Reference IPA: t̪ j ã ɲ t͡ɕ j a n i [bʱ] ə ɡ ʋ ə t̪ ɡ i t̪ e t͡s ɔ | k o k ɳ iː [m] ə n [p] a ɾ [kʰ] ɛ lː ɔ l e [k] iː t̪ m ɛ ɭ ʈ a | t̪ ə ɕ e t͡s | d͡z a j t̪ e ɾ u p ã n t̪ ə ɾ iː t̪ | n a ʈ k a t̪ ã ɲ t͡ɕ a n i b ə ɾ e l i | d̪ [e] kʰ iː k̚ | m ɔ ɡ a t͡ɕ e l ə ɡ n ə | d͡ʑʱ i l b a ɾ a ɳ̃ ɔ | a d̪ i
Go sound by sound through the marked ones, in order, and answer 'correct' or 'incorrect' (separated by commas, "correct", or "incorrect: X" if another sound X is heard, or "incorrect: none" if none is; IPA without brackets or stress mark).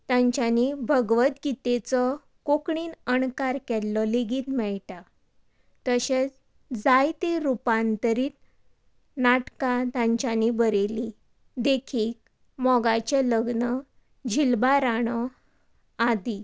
correct, incorrect: n, incorrect: k, incorrect: k, incorrect: ɡ, correct